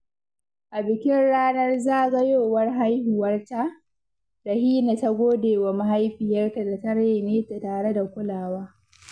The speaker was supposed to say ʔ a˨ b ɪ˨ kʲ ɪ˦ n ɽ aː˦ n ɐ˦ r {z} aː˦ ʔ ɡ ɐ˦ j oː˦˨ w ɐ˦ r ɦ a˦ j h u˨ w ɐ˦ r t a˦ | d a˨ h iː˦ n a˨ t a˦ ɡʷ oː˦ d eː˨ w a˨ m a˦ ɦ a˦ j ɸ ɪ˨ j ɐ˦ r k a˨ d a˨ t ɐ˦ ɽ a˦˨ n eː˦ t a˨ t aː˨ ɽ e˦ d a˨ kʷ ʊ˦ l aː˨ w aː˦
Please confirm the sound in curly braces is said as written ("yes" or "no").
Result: yes